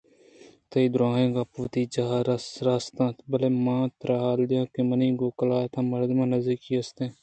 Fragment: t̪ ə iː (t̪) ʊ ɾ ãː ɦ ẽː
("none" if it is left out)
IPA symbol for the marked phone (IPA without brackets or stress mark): d̪